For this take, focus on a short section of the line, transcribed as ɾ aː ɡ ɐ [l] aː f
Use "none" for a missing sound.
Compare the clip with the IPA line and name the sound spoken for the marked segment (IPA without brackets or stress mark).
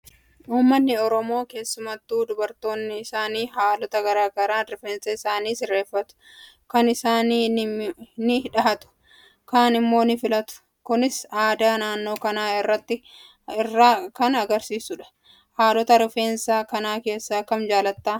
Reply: ɾ